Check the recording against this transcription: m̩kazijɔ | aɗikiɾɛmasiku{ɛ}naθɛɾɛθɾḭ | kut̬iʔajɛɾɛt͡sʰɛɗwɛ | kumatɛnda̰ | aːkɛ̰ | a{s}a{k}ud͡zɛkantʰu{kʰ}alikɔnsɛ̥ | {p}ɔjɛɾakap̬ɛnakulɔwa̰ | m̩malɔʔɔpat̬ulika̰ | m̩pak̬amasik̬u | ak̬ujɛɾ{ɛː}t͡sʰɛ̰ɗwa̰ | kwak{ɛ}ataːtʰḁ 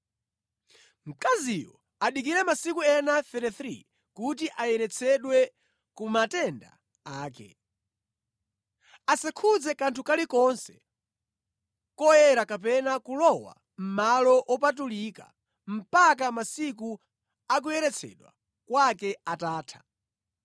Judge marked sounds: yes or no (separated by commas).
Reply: yes, yes, no, no, no, no, yes